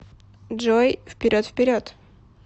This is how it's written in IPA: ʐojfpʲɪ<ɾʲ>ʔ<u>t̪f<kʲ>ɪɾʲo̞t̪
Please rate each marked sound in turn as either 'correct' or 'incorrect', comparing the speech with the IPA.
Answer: correct, incorrect: o, incorrect: pʲ

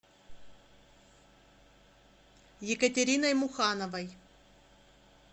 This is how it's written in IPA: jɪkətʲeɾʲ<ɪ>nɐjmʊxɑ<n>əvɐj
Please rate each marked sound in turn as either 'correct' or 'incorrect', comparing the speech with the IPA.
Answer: incorrect: i, correct

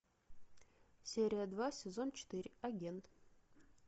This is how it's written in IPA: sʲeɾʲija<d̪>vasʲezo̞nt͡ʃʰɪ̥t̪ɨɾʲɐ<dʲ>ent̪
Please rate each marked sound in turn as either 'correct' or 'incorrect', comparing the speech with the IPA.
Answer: correct, incorrect: ɡʲ

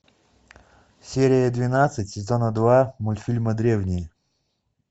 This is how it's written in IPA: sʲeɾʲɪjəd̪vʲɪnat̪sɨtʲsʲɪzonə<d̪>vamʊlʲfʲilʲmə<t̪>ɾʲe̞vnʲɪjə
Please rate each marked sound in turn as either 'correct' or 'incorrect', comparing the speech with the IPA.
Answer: correct, incorrect: d̪

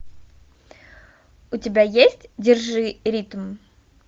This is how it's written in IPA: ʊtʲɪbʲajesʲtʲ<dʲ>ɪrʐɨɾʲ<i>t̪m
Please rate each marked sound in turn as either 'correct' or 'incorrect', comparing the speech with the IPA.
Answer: correct, correct

